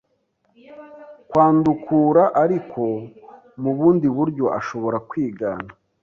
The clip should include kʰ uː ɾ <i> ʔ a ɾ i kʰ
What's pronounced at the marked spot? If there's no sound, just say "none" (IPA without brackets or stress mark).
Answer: a